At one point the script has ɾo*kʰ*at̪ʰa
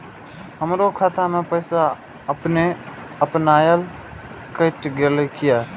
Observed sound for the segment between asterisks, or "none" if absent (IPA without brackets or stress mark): kʰ